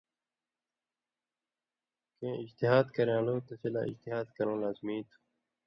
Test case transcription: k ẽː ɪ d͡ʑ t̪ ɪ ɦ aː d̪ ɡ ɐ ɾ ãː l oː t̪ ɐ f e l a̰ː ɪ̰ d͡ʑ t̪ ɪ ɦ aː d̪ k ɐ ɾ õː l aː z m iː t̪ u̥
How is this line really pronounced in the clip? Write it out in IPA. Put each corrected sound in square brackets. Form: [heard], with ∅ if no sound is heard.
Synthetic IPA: k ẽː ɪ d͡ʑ t̪ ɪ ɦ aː d̪ [k] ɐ ɾ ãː l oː t̪ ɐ [s] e l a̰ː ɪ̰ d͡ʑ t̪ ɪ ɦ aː d̪ k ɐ ɾ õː l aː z m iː t̪ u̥